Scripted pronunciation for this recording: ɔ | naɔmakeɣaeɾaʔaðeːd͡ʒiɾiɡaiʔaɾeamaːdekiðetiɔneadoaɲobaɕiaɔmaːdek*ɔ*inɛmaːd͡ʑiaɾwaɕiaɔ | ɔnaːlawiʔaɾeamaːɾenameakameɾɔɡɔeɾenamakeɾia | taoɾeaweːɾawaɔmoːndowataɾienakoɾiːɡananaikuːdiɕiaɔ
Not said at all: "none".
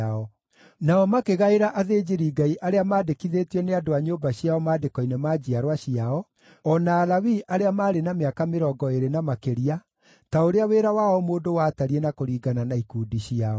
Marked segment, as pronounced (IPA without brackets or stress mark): ɔ